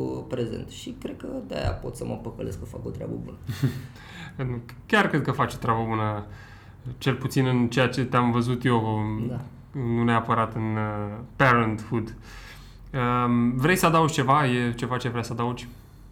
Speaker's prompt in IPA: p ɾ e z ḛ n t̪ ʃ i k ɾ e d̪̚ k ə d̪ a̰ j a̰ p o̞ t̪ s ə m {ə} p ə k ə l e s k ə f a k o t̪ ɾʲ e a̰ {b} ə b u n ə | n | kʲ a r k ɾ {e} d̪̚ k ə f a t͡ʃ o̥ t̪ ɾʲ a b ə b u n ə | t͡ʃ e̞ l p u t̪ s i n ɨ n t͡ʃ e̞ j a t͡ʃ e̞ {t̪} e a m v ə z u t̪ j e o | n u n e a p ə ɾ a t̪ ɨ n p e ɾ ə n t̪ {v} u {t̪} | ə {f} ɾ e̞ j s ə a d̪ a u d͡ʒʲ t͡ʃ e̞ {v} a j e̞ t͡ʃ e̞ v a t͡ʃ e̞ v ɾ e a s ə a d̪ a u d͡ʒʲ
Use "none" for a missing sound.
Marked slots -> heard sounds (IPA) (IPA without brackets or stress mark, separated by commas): ə, b, e, t̪, f, d̪, v, v